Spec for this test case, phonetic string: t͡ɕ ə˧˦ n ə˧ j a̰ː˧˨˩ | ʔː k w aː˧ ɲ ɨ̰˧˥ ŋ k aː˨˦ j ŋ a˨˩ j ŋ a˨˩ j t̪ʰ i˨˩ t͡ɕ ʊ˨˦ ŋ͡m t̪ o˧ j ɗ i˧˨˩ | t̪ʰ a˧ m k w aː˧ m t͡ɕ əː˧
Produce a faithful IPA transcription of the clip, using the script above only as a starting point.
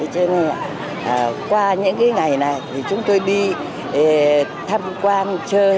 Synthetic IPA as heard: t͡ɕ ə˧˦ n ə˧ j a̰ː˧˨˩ | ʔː k w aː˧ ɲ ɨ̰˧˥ ŋ k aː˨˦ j ŋ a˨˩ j n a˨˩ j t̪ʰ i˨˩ t͡ɕ ʊ˨˦ ŋ͡m t̪ o˧ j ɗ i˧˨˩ | t̪ʰ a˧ m k w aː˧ n t͡ɕ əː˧